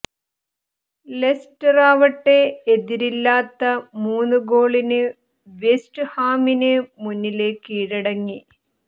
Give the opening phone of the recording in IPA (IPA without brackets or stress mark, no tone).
l